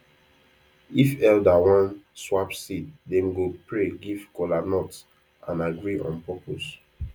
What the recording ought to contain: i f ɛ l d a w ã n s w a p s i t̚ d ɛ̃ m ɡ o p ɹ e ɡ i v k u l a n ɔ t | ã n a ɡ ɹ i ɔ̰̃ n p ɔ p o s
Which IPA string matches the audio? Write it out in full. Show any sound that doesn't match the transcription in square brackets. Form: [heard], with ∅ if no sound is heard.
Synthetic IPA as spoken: i f ɛ l d a w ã n s w a p s i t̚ d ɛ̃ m ɡ o p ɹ e ɡ i v k [ɔ] l a n ɔ t | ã n a ɡ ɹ i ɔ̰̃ n p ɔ p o s

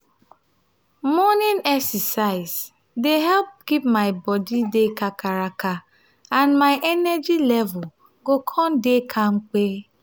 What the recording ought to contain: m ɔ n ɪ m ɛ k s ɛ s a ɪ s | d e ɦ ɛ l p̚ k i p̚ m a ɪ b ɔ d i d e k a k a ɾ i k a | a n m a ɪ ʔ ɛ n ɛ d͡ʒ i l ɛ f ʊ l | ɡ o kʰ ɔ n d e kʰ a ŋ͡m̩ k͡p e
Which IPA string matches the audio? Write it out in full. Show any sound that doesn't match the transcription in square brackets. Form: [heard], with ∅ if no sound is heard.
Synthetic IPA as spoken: m ɔ n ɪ [n] ɛ k s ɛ s a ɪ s | d e ɦ ɛ l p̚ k i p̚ m a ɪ b ɔ d i d e k a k a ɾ [a] k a | a n m a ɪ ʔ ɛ n ɛ d͡ʒ i l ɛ [v] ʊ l | ɡ o kʰ ɔ n d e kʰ a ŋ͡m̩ k͡p e

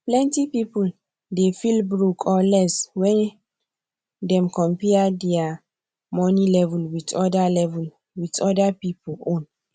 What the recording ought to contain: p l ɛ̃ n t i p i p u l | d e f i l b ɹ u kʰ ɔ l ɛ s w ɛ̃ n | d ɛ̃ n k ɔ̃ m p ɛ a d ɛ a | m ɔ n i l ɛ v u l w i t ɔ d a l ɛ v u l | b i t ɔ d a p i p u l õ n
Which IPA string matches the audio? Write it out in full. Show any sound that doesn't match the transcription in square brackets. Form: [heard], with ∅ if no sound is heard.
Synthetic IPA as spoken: p l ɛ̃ n t i p i p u l | d e f i l b ɹ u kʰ ɔ l ɛ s w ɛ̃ n | d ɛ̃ [m] k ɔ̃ m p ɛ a d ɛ a | m ɔ n i l ɛ v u l w i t ɔ d a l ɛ v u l | [w] i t ɔ d a p i p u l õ n

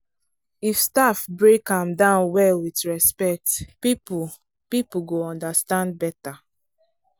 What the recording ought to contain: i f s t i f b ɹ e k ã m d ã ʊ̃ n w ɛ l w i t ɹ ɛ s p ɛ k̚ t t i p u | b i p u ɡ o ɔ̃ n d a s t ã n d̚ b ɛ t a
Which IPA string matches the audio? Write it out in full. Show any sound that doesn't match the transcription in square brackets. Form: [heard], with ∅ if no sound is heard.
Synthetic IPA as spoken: i f s t [a] f b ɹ e k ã m d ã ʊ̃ n w ɛ l w i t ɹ ɛ s p ɛ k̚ t [p] i p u | [p] i p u ɡ o ɔ̃ n d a s t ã n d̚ b ɛ t a

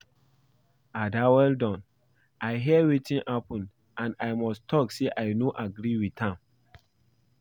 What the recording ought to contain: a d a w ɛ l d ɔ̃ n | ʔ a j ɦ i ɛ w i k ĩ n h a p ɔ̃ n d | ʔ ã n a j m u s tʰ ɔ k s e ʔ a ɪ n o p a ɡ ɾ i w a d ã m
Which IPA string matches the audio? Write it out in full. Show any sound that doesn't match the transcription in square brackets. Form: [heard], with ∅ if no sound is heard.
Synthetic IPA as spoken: a d a w ɛ l d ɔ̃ n | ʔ a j ɦ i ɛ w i [t] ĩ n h a p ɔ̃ n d | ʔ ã n a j m [ɔ] s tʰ ɔ k s e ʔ a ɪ n o [ʔ] a ɡ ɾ i w [i] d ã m

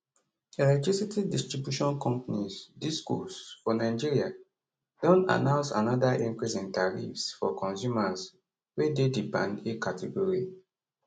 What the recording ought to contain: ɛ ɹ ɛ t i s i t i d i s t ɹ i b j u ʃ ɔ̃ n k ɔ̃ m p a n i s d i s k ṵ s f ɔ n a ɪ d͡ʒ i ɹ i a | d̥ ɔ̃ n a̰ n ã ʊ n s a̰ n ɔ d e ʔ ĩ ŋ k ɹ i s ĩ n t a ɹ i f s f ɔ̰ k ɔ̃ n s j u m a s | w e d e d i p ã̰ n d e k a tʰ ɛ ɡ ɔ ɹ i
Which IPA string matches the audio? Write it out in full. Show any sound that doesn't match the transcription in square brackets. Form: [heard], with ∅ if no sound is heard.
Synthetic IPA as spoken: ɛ [l] ɛ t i s i t i d i s t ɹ i b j u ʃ ɔ̃ n k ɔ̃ m p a n i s d i s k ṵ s f ɔ n a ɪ d͡ʒ i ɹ i a | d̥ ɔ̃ n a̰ n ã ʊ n s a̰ n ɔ d [a] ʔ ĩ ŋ k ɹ i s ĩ n t a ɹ i f s f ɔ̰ k ɔ̃ n s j u m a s | w e d e d i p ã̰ n d e k a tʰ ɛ ɡ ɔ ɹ i

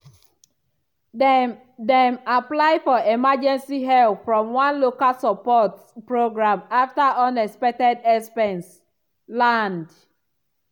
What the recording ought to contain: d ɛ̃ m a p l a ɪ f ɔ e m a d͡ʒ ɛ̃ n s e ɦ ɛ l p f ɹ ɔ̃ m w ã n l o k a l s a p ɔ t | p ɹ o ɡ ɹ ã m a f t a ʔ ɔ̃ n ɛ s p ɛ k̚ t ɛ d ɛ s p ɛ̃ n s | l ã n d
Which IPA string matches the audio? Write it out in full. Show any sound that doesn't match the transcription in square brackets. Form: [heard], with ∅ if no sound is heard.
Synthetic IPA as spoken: d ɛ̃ m a p l a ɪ f ɔ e m a d͡ʒ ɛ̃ n s [i] ɦ ɛ l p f ɹ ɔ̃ m w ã n l o k a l s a p ɔ t | p ɹ o ɡ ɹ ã m a f t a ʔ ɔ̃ n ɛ s p ɛ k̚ t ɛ d ɛ s p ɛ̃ n s | l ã n d

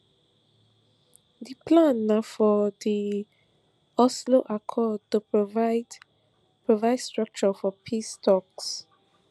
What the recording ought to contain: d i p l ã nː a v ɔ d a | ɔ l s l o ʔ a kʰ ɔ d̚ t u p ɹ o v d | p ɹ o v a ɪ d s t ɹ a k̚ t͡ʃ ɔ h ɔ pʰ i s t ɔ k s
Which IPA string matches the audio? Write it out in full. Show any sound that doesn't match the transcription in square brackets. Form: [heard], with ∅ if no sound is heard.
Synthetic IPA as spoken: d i p l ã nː a [f] ɔ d [i] | ɔ [∅] s l o ʔ a kʰ ɔ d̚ t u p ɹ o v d | p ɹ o v a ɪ d s t ɹ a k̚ t͡ʃ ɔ [f] ɔ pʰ i s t ɔ k s

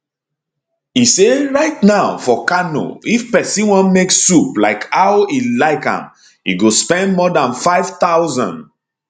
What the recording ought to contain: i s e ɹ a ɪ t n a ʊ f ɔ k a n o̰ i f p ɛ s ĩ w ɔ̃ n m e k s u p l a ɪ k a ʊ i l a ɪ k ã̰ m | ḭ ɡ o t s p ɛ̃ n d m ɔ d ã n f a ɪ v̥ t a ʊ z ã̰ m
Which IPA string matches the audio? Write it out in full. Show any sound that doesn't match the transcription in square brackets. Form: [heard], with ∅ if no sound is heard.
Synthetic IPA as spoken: i s e ɹ a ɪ t n a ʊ f ɔ k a n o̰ i f p ɛ s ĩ w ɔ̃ n m e k s u p l a ɪ k a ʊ i l a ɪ k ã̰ m | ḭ ɡ o [∅] s p ɛ̃ n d m ɔ d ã n f a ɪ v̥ t a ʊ z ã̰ [n]

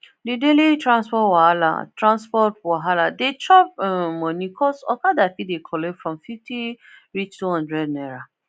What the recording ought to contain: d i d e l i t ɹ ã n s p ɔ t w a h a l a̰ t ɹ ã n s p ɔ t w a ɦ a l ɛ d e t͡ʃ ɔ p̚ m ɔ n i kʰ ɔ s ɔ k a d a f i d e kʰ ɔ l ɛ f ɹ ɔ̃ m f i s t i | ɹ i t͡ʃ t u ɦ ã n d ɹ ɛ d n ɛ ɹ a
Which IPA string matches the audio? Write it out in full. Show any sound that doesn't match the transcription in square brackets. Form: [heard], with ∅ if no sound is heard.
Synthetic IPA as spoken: d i d e l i t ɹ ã n s p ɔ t w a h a l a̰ t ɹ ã n s p ɔ t w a ɦ a l [a] d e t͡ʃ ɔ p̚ m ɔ n i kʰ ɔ s ɔ k a d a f i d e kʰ ɔ l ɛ f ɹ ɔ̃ m f i [f] t i | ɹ i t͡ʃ t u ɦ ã n d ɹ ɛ d n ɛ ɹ a

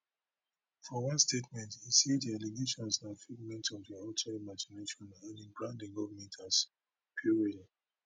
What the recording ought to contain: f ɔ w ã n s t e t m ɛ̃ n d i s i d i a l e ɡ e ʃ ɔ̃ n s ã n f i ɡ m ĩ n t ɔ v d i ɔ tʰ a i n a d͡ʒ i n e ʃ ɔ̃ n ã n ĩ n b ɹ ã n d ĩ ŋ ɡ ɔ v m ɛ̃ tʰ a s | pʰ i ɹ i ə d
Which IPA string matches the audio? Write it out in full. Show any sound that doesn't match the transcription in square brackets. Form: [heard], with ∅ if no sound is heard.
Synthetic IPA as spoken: f ɔ w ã n s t e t m ɛ̃ n [t] i s i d i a l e ɡ e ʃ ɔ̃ n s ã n f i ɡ m [ɛ̃] n t ɔ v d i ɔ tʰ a i [m] a d͡ʒ i n e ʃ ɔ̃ n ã n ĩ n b ɹ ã n d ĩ ŋ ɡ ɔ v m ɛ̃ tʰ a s | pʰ i ɹ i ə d

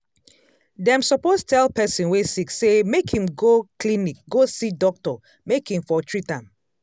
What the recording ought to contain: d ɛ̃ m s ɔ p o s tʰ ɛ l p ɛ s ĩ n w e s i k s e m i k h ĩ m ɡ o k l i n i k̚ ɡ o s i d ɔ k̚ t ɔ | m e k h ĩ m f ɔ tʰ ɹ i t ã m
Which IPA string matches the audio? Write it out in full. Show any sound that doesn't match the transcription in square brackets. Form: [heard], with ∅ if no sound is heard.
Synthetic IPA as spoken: d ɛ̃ m s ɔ p o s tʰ ɛ l p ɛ s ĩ n w e s i k s e m [e] k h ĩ m ɡ o k l i n i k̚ ɡ o s i d ɔ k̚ t ɔ | m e k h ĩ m f ɔ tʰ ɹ i t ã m

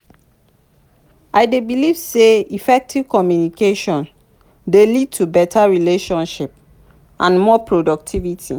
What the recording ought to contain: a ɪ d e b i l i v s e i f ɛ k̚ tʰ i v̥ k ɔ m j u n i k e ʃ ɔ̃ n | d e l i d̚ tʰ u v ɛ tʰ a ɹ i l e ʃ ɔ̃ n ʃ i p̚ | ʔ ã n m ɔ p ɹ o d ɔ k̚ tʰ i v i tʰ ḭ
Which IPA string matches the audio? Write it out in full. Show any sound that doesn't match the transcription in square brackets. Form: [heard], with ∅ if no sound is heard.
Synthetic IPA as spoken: a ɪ d e b i l i v s e i f ɛ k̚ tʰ i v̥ k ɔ m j u n i k e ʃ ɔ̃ n | d e l i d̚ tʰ u [b] ɛ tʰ a ɹ i l e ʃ ɔ̃ n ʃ i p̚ | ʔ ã n m ɔ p ɹ o d ɔ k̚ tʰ i v i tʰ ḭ

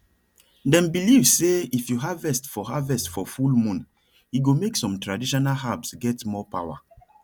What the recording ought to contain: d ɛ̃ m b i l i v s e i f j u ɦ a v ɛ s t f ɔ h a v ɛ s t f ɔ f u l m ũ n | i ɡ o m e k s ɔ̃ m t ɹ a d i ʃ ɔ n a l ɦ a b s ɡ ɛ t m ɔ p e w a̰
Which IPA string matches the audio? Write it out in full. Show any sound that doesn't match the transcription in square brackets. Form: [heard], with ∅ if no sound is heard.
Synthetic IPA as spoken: d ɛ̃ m b i l i v s e i f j u ɦ a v ɛ s t f ɔ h a v ɛ s t f ɔ f u l m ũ n | i ɡ o m e k s ɔ̃ m t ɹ a d i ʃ ɔ n a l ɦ a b s ɡ ɛ t m ɔ p [a] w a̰

